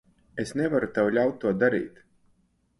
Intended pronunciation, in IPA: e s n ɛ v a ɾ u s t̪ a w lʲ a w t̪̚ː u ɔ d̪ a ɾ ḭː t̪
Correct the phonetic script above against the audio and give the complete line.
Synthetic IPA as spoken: e s n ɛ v a ɾ u t̪ a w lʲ a w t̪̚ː u ɔ d̪ a ɾ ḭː t̪